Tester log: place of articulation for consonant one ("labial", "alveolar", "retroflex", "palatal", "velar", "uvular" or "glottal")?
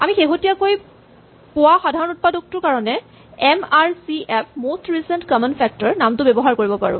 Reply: labial